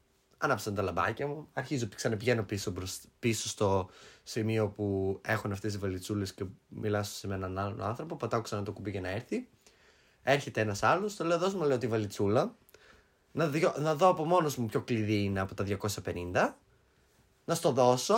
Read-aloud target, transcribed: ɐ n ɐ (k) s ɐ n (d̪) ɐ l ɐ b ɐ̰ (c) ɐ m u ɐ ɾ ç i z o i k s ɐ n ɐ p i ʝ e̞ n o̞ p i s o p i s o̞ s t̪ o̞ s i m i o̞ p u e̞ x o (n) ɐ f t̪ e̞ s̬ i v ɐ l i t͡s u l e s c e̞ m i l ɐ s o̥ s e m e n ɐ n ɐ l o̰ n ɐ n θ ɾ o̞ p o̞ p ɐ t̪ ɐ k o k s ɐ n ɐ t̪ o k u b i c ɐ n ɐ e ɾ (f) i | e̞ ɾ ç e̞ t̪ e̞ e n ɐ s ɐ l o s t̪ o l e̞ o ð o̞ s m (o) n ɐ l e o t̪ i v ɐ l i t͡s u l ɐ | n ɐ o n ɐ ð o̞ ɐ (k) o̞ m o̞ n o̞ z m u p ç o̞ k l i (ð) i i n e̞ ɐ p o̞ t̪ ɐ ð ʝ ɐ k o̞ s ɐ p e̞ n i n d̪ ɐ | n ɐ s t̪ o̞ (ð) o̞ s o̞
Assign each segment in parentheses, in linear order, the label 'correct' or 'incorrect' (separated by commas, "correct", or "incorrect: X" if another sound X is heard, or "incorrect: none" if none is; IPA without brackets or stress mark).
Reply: incorrect: p, incorrect: t̪, correct, correct, incorrect: θ, incorrect: u, incorrect: p, correct, correct